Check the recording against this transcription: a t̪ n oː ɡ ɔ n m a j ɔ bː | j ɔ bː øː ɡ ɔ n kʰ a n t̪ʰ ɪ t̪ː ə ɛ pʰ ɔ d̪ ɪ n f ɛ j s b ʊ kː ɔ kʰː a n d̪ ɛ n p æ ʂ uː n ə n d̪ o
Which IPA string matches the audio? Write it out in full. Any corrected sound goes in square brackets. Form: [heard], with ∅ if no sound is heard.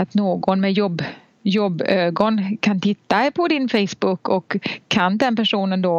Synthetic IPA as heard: a t̪ n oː ɡ ɔ n m [ɛ] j ɔ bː | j ɔ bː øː ɡ ɔ n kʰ a n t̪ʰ ɪ t̪ː [a] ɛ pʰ ɔ d̪ ɪ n f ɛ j s b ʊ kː ɔ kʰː a n d̪ ɛ n p æ ʂ uː n ə n d̪ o